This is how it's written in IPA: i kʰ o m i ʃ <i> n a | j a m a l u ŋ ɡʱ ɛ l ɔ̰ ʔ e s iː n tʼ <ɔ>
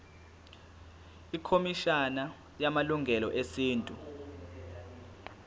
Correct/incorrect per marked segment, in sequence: incorrect: a, incorrect: u

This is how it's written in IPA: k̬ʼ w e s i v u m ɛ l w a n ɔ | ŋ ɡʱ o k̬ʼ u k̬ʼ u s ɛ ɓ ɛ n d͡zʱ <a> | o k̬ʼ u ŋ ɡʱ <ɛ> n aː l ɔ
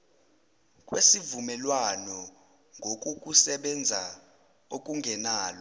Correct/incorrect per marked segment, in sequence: correct, correct

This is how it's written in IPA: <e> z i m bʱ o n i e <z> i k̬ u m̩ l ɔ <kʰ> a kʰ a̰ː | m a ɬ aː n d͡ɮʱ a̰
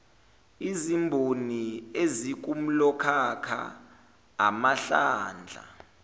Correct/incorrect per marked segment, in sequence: incorrect: i, correct, correct

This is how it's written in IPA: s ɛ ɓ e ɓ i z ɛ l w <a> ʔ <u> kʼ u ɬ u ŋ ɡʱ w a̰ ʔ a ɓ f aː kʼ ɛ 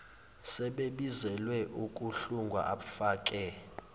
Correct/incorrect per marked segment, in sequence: incorrect: ɛ, correct

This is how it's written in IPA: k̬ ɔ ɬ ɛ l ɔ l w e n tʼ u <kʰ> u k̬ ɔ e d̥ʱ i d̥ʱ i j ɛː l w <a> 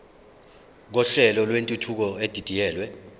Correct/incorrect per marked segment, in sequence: incorrect: tʰ, incorrect: ɛ

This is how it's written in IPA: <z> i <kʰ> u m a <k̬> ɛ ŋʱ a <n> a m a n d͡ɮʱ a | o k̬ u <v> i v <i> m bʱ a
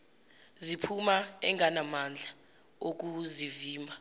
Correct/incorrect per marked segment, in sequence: correct, incorrect: pʰ, incorrect: none, correct, incorrect: z, incorrect: iː

